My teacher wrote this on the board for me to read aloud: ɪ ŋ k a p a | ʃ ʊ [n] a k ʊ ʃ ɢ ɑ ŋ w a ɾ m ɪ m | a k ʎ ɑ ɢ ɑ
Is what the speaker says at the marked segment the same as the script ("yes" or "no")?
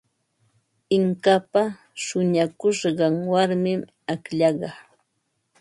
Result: no